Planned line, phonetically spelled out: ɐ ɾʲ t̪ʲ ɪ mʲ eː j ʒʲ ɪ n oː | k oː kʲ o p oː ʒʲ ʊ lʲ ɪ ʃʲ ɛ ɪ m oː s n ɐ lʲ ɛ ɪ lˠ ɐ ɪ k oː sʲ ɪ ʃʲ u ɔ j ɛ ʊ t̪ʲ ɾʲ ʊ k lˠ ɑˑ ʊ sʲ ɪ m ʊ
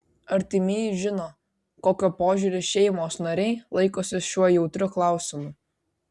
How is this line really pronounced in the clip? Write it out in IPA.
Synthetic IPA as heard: ɐ ɾʲ t̪ʲ ɪ mʲ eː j ʒʲ ɪ n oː | k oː kʲ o p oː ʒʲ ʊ ɾʲ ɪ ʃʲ ɛ ɪ m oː s n ɐ ɾʲ ɛ ɪ lˠ ɐ ɪ k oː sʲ ɪ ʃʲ u ɔ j ɛ ʊ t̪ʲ ɾʲ ʊ k lˠ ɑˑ ʊ sʲ ɪ m ʊ